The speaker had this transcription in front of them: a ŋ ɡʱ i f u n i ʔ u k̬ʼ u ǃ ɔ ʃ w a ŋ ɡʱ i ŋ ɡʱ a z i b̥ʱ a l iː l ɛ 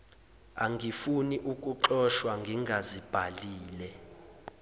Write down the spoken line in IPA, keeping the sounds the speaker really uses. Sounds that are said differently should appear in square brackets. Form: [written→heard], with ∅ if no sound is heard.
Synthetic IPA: a ŋ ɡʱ i f u n i ʔ u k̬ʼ u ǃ ɔ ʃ w a ŋ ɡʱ i ŋ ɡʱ a z i b̥ʱ a l iː l ɛ